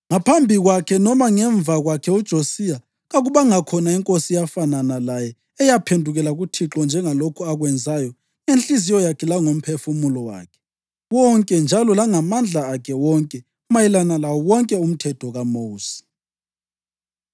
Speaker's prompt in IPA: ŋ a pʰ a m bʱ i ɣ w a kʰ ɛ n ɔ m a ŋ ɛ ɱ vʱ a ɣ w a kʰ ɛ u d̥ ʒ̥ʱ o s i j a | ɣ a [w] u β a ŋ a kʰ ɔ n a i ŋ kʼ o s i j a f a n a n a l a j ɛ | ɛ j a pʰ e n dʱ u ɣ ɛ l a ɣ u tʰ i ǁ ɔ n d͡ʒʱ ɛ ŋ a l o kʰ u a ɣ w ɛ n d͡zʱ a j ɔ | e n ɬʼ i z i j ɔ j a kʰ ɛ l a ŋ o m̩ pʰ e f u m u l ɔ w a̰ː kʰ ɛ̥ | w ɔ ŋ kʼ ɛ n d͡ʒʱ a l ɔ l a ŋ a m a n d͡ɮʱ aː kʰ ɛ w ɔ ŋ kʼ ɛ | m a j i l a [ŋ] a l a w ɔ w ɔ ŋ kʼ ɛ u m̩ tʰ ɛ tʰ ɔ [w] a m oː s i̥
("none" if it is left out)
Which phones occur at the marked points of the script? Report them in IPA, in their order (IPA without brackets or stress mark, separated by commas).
ɣ, n, ɣ